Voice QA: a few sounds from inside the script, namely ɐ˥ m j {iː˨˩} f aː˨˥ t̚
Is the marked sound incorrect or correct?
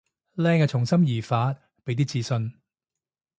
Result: correct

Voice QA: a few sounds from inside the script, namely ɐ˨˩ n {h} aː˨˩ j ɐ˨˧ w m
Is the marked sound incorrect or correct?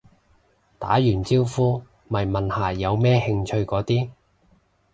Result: correct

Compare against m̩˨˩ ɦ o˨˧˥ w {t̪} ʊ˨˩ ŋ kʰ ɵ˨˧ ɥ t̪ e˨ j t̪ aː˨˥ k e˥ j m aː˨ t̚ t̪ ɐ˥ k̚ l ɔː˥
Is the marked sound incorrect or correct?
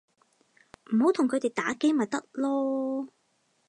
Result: incorrect: t̪ʰ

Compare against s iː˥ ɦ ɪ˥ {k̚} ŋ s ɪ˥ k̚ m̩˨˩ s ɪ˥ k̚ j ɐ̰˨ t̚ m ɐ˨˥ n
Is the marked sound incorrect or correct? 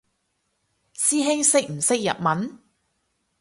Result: incorrect: none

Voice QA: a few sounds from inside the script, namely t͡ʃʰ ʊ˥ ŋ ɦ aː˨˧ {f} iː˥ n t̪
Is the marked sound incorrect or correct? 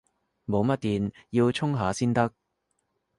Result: incorrect: s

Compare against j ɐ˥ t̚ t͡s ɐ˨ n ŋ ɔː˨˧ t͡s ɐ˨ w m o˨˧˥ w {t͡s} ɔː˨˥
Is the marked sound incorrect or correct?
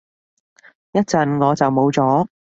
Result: correct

